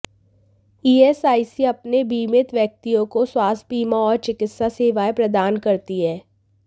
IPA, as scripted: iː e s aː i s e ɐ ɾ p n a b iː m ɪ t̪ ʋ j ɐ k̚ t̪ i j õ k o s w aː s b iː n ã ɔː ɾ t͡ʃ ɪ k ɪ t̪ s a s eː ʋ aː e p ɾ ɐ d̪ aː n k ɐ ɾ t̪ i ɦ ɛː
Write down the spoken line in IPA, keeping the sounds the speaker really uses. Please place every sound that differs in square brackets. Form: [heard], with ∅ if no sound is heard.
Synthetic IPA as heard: iː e s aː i s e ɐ [∅] p n [e] b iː m ɪ t̪ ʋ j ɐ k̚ t̪ i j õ k o s w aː s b iː [m] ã ɔː ɾ t͡ʃ ɪ k ɪ t̪ s a s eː ʋ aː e p ɾ ɐ d̪ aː n k ɐ ɾ t̪ i ɦ ɛː